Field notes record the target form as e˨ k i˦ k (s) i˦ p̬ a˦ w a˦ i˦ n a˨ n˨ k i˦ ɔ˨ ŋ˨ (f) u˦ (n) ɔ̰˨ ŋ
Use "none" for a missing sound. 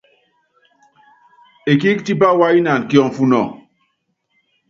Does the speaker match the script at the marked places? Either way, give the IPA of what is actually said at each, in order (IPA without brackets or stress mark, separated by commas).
t, f, n